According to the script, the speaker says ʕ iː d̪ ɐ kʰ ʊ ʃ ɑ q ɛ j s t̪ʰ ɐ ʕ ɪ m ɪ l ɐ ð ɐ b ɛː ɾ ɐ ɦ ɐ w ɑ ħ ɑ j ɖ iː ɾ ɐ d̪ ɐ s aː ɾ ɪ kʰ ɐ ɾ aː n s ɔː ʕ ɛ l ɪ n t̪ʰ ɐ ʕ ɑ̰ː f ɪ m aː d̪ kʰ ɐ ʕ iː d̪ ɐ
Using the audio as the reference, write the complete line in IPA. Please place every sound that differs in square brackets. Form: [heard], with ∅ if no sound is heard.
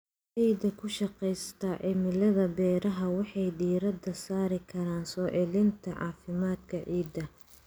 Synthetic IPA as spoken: ʕ iː d̪ ɐ kʰ ʊ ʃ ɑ q ɛ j s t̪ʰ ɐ ʕ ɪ m ɪ l ɐ ð ɐ b ɛː ɾ ɐ ɦ ɐ w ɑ ħ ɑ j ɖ iː ɾ ɐ d̪ ɐ s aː ɾ ɪ kʰ ɐ ɾ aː n s ɔː ʕ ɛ l ɪ n t̪ʰ ɐ ʕ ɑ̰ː f ɪ m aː d̪ kʰ ɐ ʕ iː d̪ ɐ